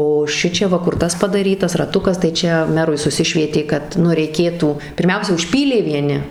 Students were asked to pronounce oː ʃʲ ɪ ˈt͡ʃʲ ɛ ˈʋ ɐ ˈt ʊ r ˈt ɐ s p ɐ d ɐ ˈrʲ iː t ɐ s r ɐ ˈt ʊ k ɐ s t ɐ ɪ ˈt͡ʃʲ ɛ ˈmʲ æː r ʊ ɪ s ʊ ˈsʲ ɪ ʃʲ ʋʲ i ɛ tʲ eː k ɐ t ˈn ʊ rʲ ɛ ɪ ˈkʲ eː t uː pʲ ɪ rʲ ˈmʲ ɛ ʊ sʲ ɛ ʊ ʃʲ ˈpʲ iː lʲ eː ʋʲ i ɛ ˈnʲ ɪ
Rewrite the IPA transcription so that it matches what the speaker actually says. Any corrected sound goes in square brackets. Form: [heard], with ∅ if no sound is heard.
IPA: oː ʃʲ ɪ ˈt͡ʃʲ ɛ ˈʋ ɐ [ˈk] ʊ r ˈt ɐ s p ɐ d ɐ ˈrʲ iː t ɐ s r ɐ ˈt ʊ k ɐ s t ɐ ɪ ˈt͡ʃʲ ɛ ˈmʲ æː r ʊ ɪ s ʊ ˈsʲ ɪ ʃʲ ʋʲ i ɛ tʲ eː k ɐ t ˈn ʊ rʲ ɛ ɪ ˈkʲ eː t uː pʲ ɪ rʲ ˈmʲ ɛ ʊ sʲ ɛ ʊ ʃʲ ˈpʲ iː lʲ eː ʋʲ i ɛ ˈnʲ ɪ